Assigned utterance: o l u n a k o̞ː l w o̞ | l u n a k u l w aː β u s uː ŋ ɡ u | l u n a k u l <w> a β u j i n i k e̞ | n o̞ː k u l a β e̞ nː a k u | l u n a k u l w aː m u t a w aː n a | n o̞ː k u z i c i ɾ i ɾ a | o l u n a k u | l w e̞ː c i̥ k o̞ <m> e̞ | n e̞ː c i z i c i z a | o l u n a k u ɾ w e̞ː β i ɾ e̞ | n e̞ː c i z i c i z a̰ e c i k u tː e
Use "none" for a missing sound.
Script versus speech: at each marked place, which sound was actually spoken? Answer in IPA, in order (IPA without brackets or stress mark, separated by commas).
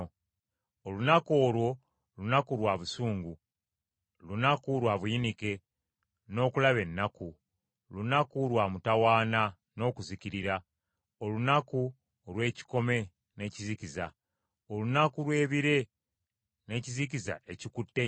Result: w, m